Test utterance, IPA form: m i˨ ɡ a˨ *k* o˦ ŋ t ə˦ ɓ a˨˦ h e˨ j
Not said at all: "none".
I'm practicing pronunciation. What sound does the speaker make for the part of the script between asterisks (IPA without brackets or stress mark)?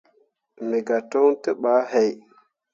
t